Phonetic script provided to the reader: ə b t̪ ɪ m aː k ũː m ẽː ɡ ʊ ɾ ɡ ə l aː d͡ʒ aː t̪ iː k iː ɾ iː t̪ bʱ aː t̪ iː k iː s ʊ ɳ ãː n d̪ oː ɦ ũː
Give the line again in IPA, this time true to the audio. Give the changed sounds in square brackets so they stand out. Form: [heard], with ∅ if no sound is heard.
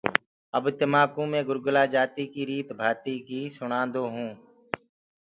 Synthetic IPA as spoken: ə b t̪ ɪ m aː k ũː m ẽː ɡ ʊ ɾ ɡ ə l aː d͡ʒ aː t̪ iː k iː ɾ iː t̪ bʱ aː t̪ iː k iː s ʊ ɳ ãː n d̪ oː ɦ ũː